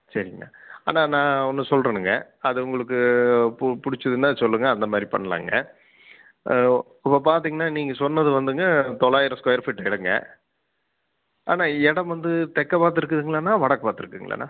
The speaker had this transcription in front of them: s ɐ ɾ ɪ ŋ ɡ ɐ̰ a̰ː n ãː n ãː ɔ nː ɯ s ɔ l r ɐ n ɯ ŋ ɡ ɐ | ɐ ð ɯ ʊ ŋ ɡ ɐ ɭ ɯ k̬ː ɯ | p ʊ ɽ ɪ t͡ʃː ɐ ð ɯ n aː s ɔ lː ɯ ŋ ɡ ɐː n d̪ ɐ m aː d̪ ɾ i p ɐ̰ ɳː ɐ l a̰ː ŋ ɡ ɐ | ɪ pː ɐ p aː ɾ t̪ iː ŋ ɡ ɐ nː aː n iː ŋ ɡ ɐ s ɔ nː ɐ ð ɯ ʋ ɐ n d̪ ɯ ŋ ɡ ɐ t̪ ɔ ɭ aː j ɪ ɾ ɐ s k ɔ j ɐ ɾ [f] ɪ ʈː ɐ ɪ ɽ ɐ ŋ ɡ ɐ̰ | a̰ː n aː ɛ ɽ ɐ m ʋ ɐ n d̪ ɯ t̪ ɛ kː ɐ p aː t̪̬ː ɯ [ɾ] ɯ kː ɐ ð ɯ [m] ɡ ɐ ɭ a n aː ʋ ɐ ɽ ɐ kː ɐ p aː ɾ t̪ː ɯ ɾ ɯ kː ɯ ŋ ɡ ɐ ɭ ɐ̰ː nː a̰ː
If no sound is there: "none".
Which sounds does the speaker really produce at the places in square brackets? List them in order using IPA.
f, ɾ, ŋ

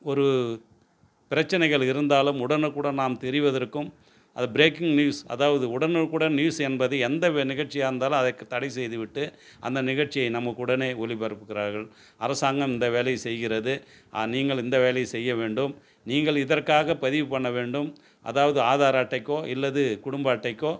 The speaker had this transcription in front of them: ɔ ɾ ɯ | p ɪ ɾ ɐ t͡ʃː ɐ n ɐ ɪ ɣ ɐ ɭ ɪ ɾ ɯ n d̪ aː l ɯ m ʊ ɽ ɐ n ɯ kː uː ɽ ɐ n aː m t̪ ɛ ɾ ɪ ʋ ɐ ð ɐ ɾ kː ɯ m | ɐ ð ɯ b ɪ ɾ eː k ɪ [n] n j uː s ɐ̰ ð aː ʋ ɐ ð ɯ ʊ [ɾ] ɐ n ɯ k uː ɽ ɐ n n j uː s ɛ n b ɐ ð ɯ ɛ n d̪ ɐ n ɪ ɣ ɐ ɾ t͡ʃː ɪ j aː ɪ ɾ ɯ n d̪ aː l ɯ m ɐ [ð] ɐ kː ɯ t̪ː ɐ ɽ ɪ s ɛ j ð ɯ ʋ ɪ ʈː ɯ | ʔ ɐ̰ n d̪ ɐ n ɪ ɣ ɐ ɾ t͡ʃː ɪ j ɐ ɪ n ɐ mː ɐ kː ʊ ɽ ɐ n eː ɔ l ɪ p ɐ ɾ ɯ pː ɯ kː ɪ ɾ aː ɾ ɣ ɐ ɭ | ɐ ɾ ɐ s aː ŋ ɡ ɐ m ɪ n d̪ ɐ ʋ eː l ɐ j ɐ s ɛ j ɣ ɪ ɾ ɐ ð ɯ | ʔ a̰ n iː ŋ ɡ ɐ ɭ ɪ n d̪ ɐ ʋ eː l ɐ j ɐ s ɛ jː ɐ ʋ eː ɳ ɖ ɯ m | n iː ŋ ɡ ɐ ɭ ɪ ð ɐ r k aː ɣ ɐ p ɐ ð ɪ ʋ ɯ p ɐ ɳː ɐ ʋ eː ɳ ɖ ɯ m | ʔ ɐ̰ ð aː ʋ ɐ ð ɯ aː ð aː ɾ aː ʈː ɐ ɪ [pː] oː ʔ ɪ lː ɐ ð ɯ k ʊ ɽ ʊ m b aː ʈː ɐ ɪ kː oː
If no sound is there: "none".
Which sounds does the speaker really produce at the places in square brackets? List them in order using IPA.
ŋ, ɽ, ð, kː

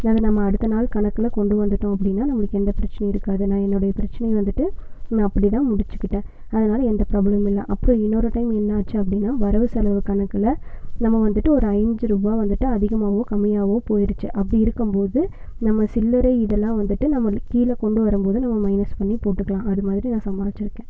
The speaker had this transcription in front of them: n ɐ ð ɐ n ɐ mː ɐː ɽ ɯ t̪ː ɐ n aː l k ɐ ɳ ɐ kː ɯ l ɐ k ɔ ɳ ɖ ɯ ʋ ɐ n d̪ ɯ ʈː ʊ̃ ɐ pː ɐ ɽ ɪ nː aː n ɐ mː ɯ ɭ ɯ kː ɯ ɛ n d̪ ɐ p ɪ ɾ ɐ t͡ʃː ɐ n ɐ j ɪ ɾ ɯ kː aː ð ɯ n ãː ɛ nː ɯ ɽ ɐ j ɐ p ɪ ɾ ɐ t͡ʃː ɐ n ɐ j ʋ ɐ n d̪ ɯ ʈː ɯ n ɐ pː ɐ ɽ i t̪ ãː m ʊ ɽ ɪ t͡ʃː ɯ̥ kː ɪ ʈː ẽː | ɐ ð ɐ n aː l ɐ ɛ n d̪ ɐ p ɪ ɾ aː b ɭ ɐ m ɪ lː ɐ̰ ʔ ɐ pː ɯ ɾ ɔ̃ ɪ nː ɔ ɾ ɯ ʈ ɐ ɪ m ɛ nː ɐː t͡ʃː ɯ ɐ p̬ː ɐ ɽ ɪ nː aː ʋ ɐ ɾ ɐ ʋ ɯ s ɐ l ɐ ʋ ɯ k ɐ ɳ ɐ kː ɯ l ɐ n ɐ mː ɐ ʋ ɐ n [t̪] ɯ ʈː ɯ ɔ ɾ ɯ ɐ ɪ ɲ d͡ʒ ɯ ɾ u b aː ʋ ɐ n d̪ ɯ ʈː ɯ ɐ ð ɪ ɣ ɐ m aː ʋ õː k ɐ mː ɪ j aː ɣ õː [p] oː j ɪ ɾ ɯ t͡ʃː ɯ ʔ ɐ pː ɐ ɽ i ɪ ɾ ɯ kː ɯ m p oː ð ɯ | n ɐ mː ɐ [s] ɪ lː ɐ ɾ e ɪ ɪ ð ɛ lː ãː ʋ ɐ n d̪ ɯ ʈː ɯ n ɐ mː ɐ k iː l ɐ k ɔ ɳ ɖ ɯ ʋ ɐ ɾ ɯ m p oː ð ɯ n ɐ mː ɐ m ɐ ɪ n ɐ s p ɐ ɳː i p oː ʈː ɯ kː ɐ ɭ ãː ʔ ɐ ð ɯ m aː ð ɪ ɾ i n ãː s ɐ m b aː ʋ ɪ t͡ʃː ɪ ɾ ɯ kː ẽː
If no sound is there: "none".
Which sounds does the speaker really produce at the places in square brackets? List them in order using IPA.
d̪, p, s

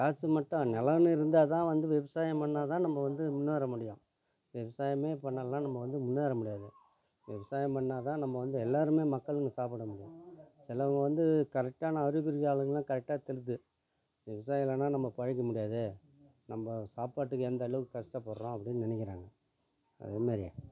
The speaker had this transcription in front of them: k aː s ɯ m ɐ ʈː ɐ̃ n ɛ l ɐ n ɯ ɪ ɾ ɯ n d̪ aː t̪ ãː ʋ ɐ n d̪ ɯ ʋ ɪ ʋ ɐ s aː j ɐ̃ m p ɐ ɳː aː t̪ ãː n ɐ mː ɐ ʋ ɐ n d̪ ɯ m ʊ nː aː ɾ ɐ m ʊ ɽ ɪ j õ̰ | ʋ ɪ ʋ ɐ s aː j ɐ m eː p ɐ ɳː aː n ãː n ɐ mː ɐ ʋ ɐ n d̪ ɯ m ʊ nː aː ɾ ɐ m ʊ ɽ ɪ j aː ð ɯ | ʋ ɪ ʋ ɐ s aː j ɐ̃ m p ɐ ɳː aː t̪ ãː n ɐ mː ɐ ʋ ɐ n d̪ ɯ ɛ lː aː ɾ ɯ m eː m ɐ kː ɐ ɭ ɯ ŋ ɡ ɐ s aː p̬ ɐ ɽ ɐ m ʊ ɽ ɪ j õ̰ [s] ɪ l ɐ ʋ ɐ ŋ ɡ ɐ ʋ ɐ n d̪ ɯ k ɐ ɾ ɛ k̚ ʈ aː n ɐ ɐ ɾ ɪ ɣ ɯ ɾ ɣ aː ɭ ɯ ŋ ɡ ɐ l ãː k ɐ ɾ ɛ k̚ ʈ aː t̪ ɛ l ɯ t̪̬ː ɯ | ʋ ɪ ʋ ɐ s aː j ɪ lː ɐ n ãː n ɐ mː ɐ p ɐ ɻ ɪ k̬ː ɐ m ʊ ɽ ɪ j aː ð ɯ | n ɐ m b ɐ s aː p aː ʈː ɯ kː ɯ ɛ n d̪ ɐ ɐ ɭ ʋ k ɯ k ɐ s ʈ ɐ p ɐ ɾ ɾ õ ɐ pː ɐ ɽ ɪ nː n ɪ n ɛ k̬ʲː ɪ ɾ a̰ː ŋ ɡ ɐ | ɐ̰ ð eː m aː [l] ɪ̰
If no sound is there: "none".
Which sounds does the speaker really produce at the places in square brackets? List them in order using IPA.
s, ɾ

